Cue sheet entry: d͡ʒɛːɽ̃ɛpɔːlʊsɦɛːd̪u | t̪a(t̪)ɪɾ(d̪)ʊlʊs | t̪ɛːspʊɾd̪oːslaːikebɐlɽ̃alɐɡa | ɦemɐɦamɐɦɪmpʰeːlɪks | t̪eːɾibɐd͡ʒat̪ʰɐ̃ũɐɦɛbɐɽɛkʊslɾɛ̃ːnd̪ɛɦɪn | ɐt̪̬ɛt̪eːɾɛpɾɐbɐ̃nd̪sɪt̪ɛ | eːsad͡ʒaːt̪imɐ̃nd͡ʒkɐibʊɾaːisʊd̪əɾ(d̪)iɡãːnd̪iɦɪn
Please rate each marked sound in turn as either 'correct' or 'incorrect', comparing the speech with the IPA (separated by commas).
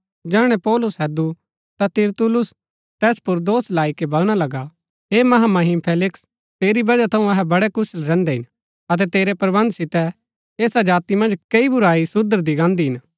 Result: correct, incorrect, correct